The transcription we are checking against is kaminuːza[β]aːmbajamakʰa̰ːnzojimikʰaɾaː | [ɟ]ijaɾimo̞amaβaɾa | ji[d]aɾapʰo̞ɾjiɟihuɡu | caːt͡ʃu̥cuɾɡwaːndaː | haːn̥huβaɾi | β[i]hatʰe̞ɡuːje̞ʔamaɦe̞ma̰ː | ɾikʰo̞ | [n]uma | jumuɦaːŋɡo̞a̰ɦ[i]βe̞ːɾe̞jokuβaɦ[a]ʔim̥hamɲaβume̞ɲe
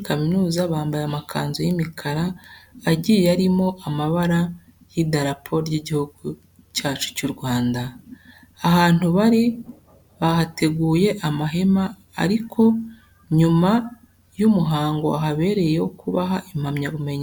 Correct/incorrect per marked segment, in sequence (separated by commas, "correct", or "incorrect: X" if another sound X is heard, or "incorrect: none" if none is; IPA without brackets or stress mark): correct, correct, correct, incorrect: a, incorrect: ɲ, incorrect: a, correct